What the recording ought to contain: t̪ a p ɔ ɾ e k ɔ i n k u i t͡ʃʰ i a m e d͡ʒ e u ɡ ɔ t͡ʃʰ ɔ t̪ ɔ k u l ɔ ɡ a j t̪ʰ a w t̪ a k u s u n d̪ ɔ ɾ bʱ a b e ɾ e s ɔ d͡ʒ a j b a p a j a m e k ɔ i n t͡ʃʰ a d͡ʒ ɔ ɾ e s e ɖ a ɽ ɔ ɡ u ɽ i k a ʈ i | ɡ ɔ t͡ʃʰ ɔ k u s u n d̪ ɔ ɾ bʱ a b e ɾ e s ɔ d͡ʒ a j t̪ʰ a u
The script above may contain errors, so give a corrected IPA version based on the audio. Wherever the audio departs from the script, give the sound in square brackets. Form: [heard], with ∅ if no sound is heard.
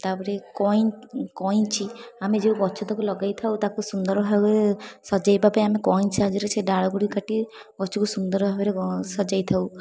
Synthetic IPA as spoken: t̪ a p ɔ ɾ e k ɔ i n k [ɔ] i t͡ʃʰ i a m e d͡ʒ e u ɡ ɔ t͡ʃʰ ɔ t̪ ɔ k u l ɔ ɡ a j t̪ʰ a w t̪ a k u s u n d̪ ɔ ɾ bʱ a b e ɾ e s ɔ d͡ʒ a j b a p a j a m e k ɔ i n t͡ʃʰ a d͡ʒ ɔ ɾ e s e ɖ a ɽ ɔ ɡ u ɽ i k a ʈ i | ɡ ɔ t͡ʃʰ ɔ k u s u n d̪ ɔ ɾ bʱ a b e ɾ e s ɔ d͡ʒ a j t̪ʰ a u